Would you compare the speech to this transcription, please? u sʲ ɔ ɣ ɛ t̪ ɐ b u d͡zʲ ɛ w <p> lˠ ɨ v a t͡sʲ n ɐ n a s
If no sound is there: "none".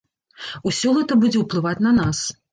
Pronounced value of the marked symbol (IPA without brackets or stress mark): p